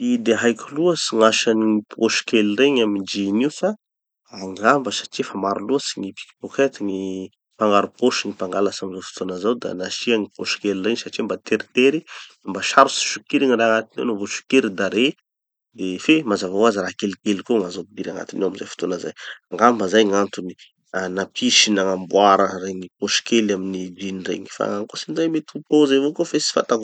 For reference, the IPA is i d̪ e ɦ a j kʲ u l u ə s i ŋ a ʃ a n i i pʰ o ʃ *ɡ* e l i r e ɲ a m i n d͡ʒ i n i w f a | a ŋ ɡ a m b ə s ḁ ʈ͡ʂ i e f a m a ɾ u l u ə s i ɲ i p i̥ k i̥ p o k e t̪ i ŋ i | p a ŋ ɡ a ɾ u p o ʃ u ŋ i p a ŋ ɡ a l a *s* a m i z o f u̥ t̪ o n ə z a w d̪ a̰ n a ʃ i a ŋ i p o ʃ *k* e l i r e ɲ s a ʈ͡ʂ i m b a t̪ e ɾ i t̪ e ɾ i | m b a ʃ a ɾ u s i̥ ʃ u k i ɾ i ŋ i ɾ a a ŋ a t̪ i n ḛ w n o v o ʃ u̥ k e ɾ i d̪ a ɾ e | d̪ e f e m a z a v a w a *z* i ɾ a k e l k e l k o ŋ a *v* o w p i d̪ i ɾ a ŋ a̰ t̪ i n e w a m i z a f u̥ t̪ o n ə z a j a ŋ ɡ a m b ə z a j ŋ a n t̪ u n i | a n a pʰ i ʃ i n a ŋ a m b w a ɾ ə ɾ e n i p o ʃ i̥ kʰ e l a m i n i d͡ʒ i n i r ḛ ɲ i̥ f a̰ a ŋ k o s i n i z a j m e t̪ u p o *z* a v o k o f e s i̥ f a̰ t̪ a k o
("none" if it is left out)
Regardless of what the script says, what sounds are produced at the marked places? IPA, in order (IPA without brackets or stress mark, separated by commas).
k, s, k, z, z, z